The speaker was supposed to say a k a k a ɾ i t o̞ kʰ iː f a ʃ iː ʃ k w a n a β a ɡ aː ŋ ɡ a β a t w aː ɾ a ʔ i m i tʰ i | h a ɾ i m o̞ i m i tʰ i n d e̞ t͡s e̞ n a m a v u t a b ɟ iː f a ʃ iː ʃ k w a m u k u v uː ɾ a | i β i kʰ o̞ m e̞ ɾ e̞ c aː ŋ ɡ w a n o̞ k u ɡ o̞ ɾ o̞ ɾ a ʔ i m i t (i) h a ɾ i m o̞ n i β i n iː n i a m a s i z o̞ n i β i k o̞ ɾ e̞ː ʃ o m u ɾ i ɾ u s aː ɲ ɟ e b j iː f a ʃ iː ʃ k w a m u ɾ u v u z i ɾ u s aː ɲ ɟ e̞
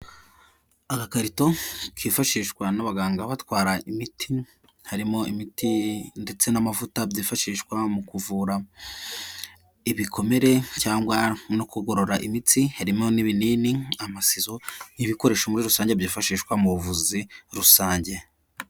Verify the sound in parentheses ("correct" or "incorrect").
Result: correct